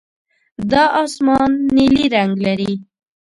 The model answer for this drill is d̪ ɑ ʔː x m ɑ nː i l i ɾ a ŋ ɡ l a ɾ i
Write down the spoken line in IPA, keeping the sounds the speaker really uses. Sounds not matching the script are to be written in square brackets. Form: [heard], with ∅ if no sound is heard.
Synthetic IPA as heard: d̪ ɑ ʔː [s] m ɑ nː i l i ɾ a ŋ ɡ l a ɾ i